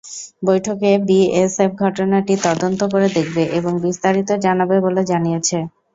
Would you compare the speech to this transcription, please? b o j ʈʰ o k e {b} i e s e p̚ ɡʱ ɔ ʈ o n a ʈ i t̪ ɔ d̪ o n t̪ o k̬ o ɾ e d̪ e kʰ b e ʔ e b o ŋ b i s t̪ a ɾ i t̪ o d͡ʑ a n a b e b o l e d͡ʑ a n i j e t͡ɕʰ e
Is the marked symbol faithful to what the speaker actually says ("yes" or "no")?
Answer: yes